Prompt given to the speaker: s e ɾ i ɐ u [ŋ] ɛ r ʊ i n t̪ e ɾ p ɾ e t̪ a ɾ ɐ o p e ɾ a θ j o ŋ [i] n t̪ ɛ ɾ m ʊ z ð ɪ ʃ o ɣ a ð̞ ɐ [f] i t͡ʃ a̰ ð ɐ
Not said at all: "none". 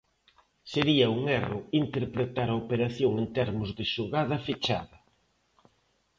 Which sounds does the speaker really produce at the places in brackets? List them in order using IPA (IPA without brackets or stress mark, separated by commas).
ŋ, e, f